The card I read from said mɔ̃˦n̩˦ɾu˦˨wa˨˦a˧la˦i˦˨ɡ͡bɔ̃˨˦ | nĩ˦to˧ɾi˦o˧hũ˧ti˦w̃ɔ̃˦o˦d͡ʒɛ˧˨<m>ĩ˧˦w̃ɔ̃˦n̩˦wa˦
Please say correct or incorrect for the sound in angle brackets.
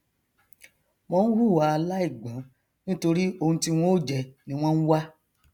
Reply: incorrect: n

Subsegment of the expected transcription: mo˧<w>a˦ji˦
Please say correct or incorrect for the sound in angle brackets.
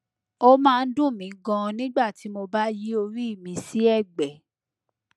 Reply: incorrect: b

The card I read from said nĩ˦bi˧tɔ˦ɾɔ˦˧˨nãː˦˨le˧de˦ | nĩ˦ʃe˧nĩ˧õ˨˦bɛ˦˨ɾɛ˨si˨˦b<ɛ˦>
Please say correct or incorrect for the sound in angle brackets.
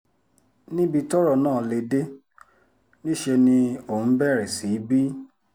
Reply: incorrect: i˦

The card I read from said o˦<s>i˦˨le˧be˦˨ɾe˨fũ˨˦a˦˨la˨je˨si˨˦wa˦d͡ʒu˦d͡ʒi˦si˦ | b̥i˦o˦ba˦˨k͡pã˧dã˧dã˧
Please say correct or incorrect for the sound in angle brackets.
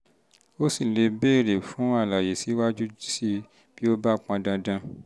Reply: correct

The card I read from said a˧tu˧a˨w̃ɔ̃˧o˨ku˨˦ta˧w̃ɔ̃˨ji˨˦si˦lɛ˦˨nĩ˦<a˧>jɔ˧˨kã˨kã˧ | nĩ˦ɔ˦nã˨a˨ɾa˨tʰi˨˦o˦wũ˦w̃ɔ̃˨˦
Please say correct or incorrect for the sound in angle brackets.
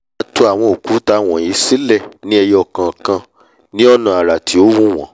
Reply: incorrect: ɛ˧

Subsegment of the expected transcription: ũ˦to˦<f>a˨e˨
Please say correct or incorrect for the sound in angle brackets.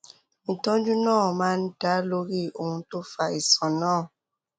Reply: correct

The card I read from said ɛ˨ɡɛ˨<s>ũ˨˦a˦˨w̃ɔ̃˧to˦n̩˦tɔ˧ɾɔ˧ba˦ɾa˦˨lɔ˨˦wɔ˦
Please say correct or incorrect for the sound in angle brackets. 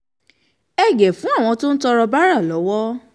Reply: incorrect: f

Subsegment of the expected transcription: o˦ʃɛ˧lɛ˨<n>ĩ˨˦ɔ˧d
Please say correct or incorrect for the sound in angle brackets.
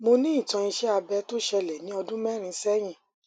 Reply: correct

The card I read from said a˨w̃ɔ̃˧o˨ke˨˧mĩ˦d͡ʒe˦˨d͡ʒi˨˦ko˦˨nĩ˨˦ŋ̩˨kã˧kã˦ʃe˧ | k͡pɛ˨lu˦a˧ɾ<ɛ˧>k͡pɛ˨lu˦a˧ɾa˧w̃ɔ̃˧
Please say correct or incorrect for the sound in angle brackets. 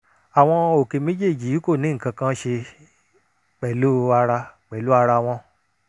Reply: incorrect: a˧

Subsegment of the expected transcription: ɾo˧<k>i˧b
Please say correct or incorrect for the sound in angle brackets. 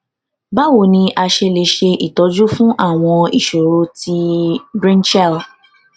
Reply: incorrect: t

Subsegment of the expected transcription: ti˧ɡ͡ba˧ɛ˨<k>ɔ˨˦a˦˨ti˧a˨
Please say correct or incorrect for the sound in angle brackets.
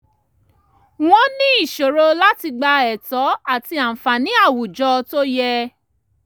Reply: incorrect: t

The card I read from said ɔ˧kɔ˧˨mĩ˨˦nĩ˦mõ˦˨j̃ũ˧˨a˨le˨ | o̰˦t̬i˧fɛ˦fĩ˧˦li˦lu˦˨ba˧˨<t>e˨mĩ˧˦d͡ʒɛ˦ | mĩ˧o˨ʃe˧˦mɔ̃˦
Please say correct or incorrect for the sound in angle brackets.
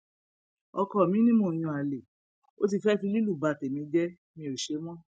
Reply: correct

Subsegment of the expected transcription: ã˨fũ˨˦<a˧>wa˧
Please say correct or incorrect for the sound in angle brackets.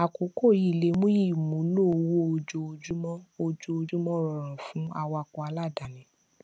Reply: correct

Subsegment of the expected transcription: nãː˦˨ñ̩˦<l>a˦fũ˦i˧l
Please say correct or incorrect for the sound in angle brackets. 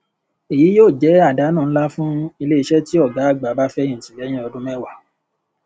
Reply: correct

